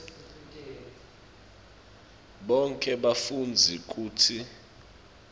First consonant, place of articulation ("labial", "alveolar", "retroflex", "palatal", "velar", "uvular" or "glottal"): labial